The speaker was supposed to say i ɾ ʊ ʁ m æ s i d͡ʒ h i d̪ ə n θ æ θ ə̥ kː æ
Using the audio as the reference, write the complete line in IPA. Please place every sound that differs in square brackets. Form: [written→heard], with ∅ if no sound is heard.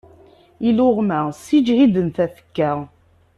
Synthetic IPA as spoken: i [ɾ→l] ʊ ʁ m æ s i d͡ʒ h i d̪ ə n θ æ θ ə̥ kː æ